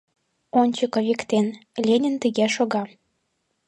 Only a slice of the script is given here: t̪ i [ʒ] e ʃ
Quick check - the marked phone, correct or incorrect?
incorrect